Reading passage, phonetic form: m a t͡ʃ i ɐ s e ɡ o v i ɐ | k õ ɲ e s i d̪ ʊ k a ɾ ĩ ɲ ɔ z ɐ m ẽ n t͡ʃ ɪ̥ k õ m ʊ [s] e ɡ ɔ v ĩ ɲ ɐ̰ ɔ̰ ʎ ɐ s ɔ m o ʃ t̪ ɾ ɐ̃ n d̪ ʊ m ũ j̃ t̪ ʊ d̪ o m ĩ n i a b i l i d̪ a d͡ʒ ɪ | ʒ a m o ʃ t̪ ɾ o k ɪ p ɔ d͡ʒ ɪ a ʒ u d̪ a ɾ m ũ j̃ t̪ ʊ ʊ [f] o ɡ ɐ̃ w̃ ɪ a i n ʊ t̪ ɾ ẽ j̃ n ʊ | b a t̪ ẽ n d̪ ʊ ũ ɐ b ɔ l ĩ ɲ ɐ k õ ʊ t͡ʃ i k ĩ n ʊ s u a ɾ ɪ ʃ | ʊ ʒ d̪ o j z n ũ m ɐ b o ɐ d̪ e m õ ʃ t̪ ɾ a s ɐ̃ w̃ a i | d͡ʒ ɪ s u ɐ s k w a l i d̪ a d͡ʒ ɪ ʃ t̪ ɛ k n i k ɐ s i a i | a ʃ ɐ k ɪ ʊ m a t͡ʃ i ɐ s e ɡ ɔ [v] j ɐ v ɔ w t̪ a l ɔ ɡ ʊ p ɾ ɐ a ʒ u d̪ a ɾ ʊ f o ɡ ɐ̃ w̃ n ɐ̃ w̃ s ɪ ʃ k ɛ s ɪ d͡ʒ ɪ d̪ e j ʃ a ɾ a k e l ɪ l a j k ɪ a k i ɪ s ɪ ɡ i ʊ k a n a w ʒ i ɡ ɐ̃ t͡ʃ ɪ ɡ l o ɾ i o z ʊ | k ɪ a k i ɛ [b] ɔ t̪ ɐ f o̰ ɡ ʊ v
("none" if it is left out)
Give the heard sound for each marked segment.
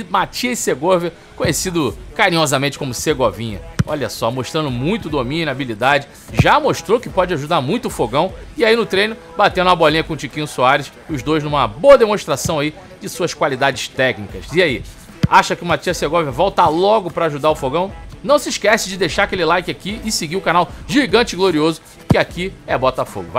s, f, v, b

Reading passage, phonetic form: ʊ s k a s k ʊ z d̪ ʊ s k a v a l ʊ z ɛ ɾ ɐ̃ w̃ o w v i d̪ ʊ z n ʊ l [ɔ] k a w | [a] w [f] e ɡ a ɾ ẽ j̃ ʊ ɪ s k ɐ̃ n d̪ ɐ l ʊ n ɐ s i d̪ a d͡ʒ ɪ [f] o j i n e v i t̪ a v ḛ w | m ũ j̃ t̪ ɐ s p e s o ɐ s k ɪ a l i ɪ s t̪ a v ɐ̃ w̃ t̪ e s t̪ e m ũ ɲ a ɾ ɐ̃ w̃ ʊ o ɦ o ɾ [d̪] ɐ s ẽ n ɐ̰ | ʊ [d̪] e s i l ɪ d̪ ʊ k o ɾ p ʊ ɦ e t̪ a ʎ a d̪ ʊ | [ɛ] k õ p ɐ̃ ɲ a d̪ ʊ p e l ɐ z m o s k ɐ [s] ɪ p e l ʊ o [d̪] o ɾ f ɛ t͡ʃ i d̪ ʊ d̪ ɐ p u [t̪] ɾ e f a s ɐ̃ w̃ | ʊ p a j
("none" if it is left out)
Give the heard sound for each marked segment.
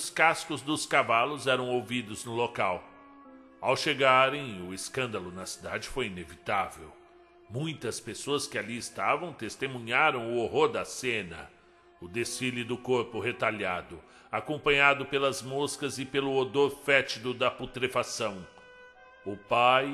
o, a, ʃ, f, d̪, d̪, a, z, d̪, t̪

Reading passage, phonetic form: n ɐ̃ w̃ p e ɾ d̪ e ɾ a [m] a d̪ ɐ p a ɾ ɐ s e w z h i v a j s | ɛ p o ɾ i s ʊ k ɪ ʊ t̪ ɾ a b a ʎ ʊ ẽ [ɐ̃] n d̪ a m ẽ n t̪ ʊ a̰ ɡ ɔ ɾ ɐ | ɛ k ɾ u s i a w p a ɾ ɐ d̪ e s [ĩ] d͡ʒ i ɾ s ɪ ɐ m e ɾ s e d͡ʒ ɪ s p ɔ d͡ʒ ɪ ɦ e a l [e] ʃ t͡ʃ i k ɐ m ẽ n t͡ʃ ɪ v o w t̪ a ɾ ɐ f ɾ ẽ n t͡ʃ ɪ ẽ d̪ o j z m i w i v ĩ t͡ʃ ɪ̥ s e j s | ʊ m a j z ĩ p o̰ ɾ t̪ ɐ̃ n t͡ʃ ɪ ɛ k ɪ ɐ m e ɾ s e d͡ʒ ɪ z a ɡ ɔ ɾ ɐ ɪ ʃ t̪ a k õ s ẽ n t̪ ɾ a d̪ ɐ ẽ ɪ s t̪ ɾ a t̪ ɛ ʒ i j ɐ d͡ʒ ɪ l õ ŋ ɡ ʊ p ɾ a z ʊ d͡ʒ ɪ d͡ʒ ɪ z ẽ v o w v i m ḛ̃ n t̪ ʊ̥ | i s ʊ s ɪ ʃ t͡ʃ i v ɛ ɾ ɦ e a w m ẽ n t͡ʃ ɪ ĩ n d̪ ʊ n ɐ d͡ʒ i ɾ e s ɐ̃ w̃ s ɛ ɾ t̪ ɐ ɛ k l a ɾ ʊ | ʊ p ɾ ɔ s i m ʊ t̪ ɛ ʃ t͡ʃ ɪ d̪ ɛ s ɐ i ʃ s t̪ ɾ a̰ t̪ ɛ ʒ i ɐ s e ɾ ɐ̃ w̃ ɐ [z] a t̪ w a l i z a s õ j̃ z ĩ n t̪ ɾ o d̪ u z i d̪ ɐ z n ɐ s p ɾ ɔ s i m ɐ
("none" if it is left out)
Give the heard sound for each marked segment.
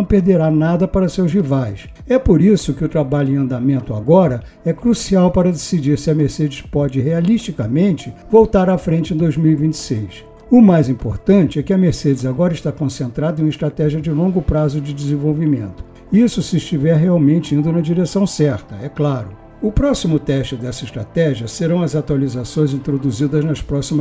n, ɐ̃, i, i, z

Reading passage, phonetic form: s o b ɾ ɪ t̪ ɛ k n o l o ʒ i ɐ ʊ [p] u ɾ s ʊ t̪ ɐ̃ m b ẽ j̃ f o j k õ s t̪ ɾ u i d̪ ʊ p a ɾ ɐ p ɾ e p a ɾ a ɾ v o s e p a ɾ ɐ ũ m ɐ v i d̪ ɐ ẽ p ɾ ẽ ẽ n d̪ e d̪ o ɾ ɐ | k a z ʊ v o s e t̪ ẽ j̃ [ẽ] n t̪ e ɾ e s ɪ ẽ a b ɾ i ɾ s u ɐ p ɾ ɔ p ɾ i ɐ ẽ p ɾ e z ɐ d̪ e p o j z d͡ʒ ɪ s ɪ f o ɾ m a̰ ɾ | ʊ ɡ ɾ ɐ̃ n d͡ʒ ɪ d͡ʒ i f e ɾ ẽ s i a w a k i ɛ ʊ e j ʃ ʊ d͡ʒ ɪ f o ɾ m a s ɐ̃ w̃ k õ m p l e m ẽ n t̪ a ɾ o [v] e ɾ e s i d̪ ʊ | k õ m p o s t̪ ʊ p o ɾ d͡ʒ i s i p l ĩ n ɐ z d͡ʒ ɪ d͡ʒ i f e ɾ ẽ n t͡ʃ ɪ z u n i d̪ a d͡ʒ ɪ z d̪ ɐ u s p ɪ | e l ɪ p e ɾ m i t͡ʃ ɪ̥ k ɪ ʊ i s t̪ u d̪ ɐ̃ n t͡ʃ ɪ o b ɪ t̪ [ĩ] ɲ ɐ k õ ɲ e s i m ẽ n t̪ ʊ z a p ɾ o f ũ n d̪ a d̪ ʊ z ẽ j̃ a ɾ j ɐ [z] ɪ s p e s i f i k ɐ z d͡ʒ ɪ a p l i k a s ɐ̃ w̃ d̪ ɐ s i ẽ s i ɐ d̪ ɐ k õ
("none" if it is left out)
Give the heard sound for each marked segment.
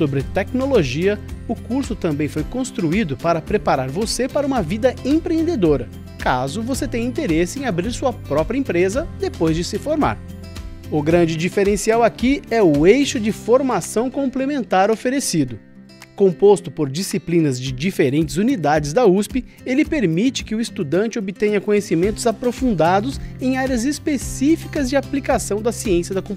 k, ĩ, f, ẽ, z

